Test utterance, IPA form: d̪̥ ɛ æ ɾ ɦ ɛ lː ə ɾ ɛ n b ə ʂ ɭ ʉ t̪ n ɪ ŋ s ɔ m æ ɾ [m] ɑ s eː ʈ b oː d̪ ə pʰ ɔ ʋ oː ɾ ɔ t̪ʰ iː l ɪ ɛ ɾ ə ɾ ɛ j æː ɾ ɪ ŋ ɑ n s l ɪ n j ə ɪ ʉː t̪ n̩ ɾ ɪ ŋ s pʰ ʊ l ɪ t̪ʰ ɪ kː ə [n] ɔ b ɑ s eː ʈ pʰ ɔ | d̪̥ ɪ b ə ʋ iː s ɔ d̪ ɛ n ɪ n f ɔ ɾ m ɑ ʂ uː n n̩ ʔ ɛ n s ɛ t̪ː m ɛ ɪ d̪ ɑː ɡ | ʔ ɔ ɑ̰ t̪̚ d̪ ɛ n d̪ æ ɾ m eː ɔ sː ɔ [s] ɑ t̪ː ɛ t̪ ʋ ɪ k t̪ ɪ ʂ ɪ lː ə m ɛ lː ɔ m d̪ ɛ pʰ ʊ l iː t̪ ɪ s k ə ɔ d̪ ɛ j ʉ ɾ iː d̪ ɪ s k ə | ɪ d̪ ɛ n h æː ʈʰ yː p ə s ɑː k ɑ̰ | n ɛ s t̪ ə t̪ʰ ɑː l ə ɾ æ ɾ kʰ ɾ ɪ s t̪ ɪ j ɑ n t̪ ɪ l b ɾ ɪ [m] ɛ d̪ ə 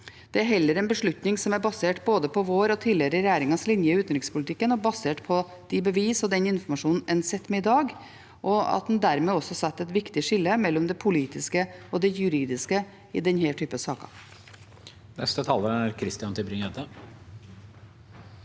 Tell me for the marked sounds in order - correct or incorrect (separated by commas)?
incorrect, correct, correct, incorrect